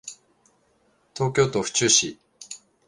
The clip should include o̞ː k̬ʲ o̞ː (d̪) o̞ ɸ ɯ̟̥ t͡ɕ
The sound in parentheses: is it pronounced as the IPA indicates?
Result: no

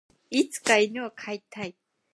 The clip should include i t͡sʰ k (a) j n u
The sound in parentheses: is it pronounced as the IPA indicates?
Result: yes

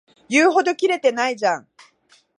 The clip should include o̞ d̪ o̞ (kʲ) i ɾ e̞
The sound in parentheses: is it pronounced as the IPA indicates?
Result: yes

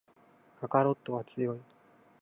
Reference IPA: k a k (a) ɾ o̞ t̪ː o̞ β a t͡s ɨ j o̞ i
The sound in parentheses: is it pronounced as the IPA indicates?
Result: yes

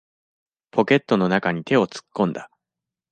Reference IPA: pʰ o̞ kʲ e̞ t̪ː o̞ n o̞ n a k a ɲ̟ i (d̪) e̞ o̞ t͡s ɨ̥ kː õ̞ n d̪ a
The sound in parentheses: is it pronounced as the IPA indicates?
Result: no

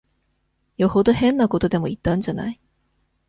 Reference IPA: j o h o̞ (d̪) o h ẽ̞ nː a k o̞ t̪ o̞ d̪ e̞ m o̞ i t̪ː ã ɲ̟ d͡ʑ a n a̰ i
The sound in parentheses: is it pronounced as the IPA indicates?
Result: yes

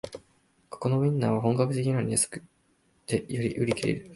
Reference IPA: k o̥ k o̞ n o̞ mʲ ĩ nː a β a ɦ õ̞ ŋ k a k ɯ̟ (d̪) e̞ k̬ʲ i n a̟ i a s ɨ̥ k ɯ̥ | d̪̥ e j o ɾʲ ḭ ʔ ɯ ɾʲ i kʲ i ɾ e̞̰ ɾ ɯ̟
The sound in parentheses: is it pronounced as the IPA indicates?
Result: no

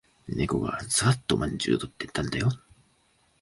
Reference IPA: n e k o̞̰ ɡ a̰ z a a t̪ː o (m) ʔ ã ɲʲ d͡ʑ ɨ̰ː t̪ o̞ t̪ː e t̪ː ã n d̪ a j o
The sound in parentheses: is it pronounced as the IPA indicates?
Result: yes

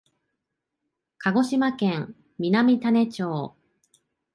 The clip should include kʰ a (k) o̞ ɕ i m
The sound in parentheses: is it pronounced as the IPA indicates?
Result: no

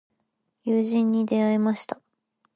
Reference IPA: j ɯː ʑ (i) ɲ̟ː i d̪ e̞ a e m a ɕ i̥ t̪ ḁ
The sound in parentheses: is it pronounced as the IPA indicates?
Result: no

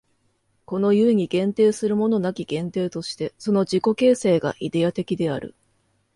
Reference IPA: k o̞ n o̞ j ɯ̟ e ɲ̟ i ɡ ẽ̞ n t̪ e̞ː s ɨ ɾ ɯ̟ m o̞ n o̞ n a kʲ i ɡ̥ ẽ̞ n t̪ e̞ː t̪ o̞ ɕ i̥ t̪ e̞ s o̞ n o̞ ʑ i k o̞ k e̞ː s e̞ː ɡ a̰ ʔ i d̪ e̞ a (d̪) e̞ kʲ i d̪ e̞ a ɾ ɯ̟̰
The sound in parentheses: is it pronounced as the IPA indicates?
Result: no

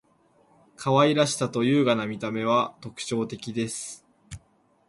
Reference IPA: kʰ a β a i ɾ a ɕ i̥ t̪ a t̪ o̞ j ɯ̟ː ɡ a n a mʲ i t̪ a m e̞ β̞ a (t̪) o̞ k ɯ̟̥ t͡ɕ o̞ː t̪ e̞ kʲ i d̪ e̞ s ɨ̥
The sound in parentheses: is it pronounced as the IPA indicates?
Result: yes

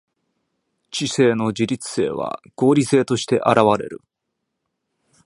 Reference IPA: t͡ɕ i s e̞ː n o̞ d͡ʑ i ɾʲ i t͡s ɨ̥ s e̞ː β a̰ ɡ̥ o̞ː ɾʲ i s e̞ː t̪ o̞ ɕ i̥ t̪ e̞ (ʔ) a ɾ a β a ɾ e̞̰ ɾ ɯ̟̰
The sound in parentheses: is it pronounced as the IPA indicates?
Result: yes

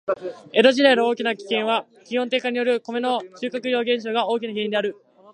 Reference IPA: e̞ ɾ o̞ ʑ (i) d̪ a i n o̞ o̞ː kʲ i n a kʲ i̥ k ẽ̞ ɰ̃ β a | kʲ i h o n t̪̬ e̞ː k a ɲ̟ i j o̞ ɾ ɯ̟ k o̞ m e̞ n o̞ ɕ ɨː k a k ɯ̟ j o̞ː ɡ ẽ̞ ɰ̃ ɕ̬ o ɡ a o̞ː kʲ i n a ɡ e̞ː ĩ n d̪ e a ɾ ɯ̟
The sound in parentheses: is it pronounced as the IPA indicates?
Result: yes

